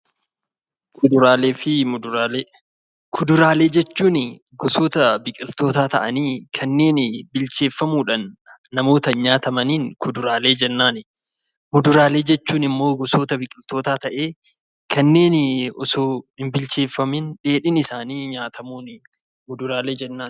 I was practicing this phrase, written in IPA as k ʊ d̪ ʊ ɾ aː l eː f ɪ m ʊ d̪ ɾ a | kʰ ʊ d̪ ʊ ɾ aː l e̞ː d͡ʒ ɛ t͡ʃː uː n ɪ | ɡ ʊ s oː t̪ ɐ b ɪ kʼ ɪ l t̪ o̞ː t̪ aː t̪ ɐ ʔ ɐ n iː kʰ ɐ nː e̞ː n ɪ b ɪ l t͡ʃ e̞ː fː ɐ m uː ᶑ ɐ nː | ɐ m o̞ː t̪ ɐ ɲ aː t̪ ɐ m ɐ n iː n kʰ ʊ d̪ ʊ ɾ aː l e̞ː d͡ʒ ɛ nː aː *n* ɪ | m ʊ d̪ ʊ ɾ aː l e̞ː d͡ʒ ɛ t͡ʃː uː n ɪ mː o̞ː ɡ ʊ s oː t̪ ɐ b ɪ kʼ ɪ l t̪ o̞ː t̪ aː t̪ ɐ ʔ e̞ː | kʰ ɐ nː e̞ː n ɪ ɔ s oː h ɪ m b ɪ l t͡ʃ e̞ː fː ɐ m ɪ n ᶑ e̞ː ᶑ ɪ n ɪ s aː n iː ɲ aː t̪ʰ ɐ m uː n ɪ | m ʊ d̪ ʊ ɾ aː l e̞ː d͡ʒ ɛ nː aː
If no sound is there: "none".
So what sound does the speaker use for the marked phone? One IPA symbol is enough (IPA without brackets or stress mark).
n